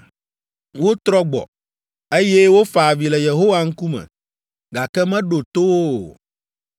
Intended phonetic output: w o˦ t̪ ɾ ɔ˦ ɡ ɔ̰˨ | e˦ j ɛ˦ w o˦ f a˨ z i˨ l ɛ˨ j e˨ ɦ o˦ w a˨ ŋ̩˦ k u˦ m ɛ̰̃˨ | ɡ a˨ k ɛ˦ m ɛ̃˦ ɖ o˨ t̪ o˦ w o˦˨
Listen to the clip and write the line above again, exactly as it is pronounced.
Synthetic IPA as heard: w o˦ t̪ ɾ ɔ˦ ɡ͡b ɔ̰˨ | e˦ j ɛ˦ w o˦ f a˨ v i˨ l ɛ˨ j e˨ ɦ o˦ w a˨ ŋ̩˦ k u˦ m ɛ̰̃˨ | ɡ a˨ k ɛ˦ m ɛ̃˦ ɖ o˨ t̪ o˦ w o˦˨